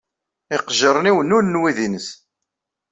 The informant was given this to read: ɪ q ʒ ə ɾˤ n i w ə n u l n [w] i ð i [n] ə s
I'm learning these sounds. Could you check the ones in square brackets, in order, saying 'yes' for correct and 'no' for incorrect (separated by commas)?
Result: yes, yes